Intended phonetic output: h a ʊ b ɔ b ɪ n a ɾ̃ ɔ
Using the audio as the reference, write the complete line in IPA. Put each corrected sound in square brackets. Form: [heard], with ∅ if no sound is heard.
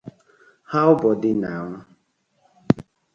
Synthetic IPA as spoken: h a ʊ b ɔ [d] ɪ n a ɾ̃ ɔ